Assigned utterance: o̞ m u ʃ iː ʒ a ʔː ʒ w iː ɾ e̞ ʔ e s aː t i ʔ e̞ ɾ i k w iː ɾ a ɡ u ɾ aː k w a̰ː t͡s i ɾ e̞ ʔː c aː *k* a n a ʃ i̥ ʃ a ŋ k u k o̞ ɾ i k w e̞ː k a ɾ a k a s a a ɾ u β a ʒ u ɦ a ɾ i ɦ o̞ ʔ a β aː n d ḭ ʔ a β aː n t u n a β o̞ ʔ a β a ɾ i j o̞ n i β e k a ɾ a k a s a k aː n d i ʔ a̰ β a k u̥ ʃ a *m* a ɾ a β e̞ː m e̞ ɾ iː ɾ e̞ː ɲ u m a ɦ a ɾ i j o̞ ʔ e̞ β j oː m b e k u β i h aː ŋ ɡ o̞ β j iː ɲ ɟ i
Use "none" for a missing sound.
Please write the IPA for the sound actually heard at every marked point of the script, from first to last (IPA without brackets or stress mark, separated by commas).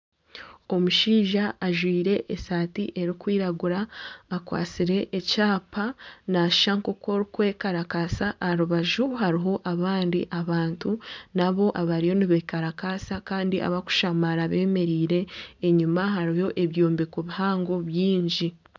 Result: p, m